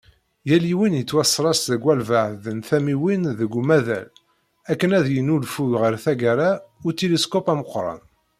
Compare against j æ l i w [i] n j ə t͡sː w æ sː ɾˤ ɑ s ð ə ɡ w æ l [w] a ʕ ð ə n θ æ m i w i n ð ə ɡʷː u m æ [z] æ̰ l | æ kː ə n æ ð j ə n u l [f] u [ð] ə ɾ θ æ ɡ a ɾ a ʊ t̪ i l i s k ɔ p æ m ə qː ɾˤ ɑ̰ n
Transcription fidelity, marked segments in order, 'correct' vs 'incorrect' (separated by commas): correct, incorrect, incorrect, correct, incorrect